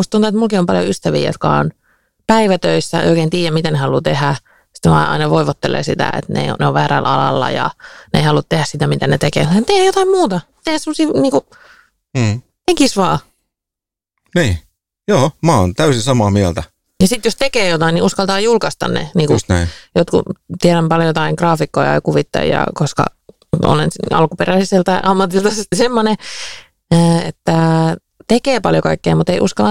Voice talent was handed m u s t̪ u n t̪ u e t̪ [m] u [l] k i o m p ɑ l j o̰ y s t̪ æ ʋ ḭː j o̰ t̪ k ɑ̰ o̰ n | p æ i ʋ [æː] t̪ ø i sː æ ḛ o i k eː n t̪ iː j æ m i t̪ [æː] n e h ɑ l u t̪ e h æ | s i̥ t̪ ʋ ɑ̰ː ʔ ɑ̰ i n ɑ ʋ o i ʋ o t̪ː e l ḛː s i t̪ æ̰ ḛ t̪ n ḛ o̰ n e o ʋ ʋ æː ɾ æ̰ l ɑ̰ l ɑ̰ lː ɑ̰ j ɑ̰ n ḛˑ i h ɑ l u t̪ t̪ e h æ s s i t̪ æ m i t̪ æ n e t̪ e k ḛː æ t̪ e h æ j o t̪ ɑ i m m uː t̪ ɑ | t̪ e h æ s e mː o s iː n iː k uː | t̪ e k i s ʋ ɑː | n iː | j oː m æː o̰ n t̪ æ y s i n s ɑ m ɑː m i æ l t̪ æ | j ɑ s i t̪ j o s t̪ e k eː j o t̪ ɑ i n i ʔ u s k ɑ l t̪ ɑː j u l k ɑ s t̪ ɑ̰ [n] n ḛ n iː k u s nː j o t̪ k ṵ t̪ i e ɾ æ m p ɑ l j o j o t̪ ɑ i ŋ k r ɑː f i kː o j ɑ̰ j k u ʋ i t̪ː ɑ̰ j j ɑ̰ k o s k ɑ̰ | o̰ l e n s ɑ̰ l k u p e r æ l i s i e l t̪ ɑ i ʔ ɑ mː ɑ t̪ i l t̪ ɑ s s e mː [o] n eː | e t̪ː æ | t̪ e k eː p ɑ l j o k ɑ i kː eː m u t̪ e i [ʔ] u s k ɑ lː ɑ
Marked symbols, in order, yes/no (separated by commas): yes, yes, no, no, yes, yes, yes